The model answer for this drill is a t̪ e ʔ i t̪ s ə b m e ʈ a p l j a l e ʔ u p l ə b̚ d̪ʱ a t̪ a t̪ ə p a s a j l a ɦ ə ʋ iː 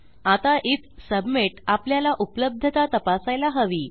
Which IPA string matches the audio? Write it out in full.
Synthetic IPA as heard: a t̪ a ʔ i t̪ s ə b m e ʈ a p l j a l a ʔ u p l ə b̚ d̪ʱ ə t̪ a t̪ ə p a s a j l a ɦ ə ʋ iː